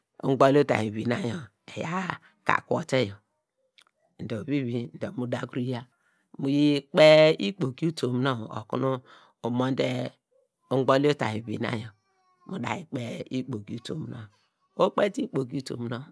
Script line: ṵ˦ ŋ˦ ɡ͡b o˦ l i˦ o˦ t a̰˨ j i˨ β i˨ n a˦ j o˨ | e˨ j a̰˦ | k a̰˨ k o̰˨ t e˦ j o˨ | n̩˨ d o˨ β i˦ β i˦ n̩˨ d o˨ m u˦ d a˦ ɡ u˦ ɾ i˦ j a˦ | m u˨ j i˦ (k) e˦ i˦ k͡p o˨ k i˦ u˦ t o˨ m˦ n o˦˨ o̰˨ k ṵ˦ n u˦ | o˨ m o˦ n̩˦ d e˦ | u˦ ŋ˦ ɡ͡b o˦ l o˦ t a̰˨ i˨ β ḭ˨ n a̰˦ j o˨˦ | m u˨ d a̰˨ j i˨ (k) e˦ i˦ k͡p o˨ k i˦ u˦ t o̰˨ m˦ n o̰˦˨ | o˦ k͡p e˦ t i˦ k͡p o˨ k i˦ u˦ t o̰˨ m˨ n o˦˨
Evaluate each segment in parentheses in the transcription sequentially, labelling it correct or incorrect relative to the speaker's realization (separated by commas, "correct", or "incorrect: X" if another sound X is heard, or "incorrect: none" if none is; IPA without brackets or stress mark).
incorrect: k͡p, incorrect: k͡p